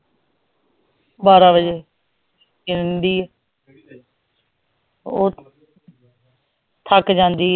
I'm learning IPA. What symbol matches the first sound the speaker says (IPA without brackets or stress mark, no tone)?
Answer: b